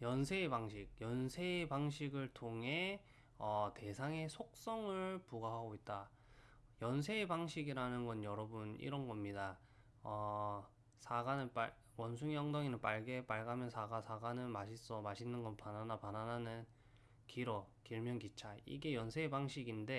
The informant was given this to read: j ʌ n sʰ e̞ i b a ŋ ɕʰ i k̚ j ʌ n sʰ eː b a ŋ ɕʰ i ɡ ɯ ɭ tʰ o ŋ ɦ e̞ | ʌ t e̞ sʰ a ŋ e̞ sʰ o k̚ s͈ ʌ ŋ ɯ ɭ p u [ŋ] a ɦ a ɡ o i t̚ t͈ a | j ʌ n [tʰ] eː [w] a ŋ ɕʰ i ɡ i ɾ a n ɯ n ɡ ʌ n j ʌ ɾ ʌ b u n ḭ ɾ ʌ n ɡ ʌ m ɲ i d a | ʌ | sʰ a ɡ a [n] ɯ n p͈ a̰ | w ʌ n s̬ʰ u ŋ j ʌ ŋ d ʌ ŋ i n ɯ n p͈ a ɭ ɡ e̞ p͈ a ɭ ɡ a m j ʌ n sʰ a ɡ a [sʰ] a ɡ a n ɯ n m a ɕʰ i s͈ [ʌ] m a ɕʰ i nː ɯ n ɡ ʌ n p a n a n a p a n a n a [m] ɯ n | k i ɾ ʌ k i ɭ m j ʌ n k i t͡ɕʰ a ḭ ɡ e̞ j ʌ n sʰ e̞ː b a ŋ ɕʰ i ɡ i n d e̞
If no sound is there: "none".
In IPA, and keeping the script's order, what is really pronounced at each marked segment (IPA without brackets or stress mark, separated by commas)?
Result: ɡ, sʰ, b, n, sʰ, ʌ, n